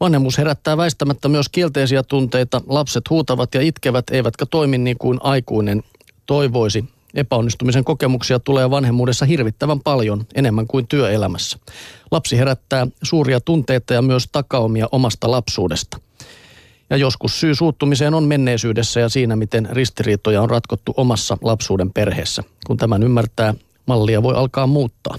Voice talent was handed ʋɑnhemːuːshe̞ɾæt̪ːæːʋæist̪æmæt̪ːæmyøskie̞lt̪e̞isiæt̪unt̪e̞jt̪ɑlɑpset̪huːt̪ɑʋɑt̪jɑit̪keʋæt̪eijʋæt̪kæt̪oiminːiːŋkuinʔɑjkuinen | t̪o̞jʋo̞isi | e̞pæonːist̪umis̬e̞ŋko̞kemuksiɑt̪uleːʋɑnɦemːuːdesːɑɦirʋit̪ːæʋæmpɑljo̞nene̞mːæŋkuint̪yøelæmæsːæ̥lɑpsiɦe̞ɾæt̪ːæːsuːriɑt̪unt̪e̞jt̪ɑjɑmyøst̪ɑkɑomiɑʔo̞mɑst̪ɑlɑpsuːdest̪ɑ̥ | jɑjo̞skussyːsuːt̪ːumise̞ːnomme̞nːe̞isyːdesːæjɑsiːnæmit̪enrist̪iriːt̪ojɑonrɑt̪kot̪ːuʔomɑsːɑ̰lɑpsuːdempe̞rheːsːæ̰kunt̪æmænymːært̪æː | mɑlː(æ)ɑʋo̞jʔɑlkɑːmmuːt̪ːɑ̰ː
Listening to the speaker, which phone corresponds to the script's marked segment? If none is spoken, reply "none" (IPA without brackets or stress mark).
i